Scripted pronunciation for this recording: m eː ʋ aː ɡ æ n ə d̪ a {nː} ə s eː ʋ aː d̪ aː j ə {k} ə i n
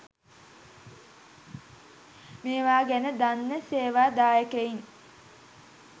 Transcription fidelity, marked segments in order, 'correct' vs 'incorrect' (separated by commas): correct, correct